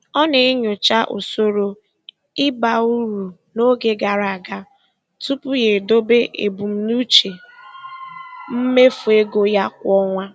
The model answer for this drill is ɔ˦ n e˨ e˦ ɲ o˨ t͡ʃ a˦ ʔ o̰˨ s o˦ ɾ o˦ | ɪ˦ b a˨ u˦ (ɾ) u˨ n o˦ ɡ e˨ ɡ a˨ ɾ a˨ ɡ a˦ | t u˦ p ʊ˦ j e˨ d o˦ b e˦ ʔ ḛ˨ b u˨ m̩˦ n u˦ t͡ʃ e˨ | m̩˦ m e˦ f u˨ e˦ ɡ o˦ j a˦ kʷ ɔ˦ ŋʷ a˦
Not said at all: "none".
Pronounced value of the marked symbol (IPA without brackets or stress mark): ɾ